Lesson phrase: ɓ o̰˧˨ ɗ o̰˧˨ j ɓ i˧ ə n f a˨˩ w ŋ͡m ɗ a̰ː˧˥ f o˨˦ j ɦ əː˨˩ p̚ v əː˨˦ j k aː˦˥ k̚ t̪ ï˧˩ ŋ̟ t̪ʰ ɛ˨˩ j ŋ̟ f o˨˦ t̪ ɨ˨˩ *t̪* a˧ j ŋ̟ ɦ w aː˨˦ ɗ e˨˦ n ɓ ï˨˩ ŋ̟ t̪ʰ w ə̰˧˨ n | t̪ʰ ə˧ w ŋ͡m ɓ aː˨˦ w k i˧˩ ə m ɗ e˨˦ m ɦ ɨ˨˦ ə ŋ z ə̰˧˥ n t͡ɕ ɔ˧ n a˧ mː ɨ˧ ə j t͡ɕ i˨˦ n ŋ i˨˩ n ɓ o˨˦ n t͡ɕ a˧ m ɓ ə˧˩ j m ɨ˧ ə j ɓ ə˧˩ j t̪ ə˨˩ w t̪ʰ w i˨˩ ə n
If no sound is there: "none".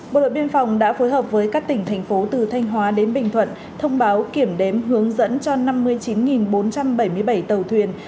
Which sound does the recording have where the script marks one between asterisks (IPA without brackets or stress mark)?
t̪ʰ